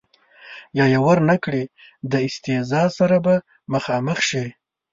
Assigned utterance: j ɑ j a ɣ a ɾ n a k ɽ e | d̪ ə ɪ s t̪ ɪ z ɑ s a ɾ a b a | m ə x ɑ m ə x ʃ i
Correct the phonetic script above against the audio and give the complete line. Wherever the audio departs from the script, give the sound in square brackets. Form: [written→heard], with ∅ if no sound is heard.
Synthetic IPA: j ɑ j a [ɣ→w] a ɾ n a k ɽ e | d̪ ə ɪ s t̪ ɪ z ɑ s a ɾ a b a | m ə x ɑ m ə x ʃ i

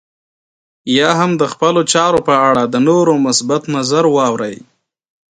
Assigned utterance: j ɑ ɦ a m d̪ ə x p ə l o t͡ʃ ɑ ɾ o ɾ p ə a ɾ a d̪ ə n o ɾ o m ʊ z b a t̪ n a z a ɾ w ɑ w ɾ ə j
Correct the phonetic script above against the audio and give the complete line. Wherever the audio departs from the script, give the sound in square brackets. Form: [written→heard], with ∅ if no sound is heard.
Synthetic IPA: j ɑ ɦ a m d̪ ə x p ə l o t͡ʃ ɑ ɾ o [ɾ→∅] p ə a [ɾ→ɽ] a d̪ ə n o ɾ o m ʊ [z→s] b a t̪ n a z a ɾ w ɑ w ɾ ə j

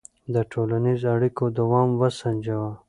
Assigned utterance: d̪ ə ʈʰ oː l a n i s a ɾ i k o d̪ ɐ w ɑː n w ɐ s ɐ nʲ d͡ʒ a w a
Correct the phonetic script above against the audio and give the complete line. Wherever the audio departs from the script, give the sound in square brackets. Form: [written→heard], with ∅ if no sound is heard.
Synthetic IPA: d̪ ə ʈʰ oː l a n i [s→z] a [ɾ→ɽ] i k o d̪ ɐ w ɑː [n→m] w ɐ s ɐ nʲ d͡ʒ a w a

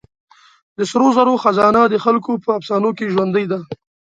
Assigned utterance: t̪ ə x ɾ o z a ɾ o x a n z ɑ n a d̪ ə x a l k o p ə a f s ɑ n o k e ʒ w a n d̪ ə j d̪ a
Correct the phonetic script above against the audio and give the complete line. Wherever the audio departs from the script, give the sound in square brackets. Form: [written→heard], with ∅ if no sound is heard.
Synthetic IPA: [t̪→d̪] ə [x→s] ɾ o z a ɾ o x a [n→∅] z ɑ n a d̪ ə x a l k o p ə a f s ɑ n o k e ʒ w a n d̪ ə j d̪ a

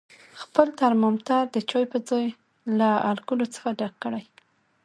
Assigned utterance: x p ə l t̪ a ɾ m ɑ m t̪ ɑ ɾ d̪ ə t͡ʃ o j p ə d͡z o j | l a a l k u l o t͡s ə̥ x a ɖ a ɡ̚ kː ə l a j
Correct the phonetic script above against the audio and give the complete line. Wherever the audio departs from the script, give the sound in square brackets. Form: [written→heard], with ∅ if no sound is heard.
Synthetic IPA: x p ə l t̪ a ɾ m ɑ m t̪ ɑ ɾ d̪ ə t͡ʃ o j p ə d͡z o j | l a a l k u l o t͡s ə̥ x a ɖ a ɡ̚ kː ə [l→ɽ] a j

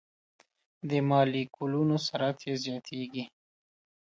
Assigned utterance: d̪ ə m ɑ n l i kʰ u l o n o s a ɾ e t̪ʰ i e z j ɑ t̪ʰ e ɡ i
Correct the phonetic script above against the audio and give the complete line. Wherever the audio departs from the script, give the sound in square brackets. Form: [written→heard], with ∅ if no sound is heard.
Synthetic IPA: d̪ ə m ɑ [n→∅] l i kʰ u l [o→u] n o s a ɾ [e→a] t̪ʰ [i→j] e z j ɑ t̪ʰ e ɡ i

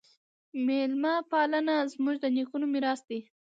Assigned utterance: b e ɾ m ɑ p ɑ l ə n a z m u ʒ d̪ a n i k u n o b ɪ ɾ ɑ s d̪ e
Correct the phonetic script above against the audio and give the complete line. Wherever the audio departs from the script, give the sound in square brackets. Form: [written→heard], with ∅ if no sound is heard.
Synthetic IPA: [b→m] e [ɾ→l] m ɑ p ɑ l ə n a z m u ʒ d̪ [a→ə] n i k u n o [b→m] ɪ ɾ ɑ s d̪ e

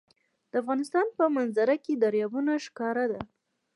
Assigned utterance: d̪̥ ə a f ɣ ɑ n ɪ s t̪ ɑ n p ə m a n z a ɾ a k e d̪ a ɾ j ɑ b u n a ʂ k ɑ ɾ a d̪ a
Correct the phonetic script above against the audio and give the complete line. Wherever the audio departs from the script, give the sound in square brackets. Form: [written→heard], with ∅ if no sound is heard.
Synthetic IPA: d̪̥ ə a f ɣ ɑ n ɪ s t̪ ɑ n p ə m a n z a ɾ a k e d̪ a ɾ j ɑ b u n a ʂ k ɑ ɾ a d̪ a

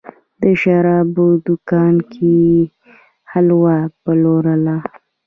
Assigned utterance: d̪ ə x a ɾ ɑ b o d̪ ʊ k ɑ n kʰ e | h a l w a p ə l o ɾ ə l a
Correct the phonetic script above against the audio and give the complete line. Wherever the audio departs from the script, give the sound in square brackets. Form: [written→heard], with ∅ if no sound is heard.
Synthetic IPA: d̪ ə [x→ʃ] a ɾ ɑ b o d̪ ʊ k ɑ n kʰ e | h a l w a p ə l o ɾ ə l a

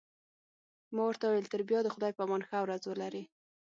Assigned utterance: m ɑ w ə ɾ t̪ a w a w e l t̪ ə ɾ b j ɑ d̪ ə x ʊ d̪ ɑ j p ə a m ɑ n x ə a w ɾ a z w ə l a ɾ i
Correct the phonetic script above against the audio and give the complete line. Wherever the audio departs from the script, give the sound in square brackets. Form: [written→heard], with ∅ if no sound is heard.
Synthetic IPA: m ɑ w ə ɾ t̪ a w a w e l t̪ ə ɾ b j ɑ d̪ ə x ʊ d̪ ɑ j p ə a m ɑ n x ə a w ɾ a z w ə l a ɾ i

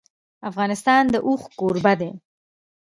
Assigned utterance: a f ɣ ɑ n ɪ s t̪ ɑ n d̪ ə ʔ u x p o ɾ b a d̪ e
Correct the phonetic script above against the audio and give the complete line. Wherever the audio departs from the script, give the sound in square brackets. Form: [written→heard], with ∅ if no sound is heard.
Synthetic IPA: a f ɣ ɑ n ɪ s t̪ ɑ n d̪ ə ʔ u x [p→k] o ɾ b a d̪ e

